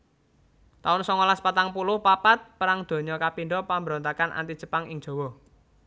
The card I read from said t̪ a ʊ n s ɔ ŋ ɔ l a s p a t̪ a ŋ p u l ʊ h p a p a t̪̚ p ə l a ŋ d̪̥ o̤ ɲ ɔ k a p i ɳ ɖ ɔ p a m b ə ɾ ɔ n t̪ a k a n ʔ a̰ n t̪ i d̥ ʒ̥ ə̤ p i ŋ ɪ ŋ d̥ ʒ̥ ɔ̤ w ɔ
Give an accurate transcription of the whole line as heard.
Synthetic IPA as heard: t̪ a ʊ n s ɔ ŋ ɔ l a s p a t̪ a ŋ p u l ʊ h p a p a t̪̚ p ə ɾ a ŋ d̪̥ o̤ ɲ ɔ k a p i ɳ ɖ ɔ p a m b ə ɾ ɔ n t̪ a k a n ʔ a̰ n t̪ i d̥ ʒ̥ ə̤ p a ŋ ɪ ŋ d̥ ʒ̥ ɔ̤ w ɔ